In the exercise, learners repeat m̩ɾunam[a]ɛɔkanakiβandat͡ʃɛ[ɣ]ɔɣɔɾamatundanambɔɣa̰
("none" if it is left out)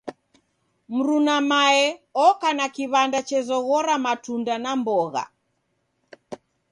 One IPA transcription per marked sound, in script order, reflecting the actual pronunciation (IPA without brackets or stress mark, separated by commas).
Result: a, z